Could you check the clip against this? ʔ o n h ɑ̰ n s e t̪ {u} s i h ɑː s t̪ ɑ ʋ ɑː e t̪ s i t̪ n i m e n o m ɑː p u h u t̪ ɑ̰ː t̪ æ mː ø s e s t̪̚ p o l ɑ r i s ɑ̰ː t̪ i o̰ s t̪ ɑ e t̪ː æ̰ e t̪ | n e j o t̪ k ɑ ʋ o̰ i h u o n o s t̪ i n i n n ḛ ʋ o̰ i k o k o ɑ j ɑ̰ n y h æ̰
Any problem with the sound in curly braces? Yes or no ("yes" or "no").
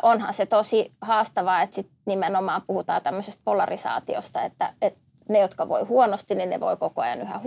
yes